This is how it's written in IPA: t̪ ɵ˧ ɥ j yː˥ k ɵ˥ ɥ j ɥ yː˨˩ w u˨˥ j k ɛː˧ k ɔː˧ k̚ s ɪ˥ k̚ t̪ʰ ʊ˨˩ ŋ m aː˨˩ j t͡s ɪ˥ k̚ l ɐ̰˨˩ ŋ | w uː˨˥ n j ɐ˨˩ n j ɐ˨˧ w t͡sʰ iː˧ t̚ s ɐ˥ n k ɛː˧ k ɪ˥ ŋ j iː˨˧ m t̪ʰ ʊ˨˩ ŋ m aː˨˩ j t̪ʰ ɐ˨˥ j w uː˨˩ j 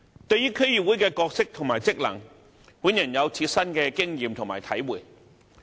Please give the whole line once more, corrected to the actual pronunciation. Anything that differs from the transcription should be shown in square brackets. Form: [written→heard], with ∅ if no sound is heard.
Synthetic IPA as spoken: t̪ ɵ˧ ɥ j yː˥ [k→kʰ] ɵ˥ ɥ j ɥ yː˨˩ w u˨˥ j k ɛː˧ k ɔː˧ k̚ s ɪ˥ k̚ t̪ʰ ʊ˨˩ ŋ m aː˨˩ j t͡s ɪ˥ k̚ l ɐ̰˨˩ ŋ | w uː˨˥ n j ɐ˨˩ n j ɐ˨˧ w t͡sʰ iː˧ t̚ s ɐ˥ n k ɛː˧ k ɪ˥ ŋ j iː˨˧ m t̪ʰ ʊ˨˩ ŋ m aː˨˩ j t̪ʰ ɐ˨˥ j w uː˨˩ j